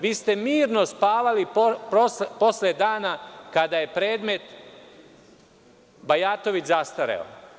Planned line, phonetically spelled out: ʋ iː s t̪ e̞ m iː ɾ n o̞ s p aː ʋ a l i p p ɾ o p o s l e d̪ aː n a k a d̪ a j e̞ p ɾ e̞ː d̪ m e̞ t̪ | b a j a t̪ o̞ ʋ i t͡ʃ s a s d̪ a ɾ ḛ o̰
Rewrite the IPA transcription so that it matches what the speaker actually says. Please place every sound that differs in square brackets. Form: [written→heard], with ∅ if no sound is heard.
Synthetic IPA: ʋ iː s t̪ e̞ m iː ɾ n o̞ s p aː ʋ a l i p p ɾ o p o s l e d̪ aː n a k a d̪ a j e̞ p ɾ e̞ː d̪ m e̞ t̪ | b a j a t̪ o̞ ʋ i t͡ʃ [s→z] a s [d̪→t̪] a ɾ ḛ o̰